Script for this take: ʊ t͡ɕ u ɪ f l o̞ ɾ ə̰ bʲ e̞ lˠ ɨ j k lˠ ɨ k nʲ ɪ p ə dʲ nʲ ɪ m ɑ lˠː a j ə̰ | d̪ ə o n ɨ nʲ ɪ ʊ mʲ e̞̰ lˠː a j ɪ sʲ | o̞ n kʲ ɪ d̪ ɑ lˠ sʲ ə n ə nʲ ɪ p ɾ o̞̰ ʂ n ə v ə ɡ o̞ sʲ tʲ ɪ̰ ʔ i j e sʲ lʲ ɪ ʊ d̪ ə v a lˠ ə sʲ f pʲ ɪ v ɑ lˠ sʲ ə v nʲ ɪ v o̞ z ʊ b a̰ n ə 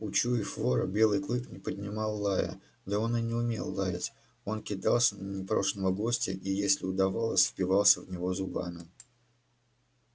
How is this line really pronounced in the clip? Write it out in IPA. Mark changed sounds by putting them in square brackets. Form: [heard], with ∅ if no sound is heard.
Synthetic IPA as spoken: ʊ t͡ɕ u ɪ f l o̞ ɾ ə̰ bʲ e̞ lˠ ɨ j k lˠ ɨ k nʲ ɪ p ə dʲ nʲ ɪ m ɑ lˠː a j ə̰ | d̪ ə o n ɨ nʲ ɪ ʊ mʲ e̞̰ lˠː a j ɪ [tʲ] | o̞ n kʲ ɪ d̪ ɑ lˠ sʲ ə n ə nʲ ɪ p ɾ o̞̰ ʂ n ə v ə ɡ o̞ sʲ tʲ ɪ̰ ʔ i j e sʲ lʲ ɪ ʊ d̪ [ɐ] v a lˠ ə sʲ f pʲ ɪ v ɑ lˠ sʲ ə v nʲ ɪ v o̞ z ʊ b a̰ n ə